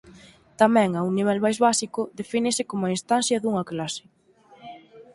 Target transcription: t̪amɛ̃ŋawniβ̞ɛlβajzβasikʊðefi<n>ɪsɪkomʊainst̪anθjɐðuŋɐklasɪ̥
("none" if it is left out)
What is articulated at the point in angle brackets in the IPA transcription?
n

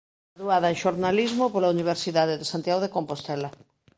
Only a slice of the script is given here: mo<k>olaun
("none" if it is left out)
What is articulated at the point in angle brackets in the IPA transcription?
p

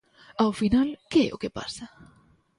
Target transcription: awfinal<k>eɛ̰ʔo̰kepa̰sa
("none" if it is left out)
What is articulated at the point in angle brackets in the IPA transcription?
k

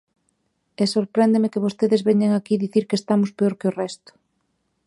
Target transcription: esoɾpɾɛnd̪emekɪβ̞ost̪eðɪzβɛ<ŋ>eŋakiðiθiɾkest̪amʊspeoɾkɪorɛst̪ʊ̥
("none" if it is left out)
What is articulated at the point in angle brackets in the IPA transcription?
ɲ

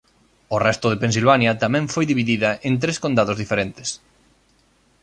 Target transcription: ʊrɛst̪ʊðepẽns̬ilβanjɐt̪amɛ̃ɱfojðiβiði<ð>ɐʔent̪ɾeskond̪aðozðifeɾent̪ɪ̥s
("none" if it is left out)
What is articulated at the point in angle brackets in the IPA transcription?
ð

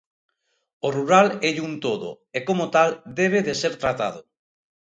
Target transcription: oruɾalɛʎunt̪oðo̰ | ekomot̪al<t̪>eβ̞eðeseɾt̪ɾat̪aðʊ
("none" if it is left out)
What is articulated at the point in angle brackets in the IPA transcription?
d̪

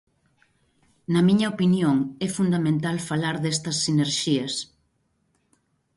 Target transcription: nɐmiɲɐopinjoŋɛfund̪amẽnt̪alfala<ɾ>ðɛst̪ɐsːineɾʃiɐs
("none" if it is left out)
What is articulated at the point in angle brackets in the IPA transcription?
ɾ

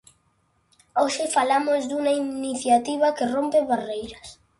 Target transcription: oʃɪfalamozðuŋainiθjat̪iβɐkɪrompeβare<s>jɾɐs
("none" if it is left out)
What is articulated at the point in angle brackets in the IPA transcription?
none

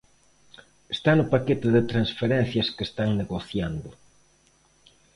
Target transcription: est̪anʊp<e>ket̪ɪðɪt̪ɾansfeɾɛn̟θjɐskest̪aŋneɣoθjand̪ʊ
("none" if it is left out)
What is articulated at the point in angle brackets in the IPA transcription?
a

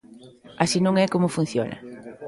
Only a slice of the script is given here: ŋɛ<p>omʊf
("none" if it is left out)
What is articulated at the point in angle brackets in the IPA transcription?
k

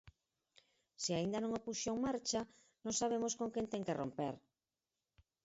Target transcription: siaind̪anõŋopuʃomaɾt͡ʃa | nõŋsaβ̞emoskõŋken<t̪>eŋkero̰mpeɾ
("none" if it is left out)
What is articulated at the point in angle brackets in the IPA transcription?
t̪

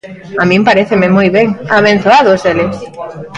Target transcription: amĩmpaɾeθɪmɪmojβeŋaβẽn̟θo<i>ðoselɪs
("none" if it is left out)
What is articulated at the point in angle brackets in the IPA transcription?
a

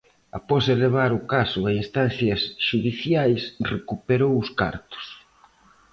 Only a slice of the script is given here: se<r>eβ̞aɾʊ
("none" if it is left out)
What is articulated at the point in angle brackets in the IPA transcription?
l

